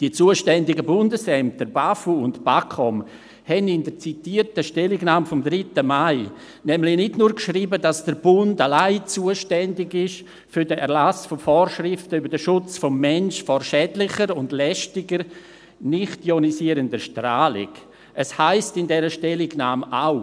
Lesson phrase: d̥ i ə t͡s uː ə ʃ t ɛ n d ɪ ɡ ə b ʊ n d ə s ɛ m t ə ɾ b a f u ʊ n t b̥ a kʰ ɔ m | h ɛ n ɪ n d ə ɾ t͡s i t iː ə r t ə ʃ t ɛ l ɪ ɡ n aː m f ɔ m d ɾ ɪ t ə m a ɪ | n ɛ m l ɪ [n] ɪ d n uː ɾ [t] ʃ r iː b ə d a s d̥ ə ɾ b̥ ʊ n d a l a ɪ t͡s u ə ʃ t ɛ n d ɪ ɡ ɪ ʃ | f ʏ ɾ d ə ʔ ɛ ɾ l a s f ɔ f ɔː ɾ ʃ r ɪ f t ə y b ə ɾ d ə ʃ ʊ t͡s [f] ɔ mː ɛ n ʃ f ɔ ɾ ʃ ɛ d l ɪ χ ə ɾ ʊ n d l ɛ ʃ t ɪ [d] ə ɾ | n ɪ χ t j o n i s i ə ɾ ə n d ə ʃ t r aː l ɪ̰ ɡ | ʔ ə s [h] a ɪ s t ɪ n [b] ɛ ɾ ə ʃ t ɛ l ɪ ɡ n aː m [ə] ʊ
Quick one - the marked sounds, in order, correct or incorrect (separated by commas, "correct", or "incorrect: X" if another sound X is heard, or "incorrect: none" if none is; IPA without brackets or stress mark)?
correct, incorrect: k, correct, incorrect: ɡ, correct, incorrect: d, incorrect: a